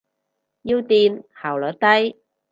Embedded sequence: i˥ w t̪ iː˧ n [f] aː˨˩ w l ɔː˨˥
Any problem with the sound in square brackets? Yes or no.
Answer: yes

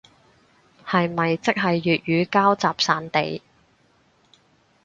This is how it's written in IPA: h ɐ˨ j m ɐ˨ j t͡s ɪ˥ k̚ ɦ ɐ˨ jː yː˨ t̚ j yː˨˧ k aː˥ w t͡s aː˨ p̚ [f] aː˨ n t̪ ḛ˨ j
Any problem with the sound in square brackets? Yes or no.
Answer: yes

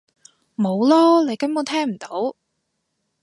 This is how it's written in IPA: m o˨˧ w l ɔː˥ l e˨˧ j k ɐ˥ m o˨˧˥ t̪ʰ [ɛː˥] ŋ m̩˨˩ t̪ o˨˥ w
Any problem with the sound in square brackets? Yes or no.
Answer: no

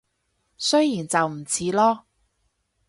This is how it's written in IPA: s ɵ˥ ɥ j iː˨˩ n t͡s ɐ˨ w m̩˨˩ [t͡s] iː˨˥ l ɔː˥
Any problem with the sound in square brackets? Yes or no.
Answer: yes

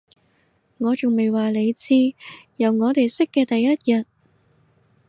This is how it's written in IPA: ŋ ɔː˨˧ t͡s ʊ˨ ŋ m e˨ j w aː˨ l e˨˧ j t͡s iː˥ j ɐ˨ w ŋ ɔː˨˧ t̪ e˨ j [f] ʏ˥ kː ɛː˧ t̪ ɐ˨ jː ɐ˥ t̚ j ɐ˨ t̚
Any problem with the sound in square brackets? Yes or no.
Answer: yes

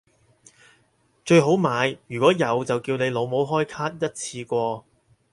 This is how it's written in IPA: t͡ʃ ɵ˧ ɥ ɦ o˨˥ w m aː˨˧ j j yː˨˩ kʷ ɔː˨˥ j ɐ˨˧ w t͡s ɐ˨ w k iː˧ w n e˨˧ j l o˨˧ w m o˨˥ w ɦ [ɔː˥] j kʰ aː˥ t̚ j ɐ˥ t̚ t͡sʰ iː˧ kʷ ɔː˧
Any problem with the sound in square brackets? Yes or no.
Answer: no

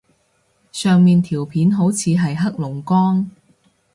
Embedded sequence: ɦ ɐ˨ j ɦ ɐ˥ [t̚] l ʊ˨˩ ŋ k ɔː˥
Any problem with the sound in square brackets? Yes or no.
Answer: yes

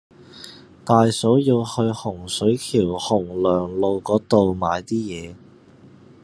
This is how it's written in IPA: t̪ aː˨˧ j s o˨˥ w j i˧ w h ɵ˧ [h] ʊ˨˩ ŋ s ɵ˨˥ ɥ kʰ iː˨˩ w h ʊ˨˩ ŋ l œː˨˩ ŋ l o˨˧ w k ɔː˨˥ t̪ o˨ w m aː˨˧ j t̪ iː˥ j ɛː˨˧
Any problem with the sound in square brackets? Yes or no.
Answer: no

